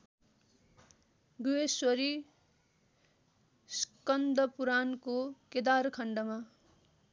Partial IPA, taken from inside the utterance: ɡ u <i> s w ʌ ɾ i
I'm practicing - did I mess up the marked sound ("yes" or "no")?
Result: yes